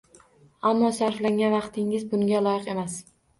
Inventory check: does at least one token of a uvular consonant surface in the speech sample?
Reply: yes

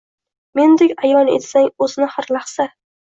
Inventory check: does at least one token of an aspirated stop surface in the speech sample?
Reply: no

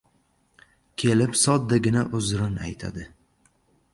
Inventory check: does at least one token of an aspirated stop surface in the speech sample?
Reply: yes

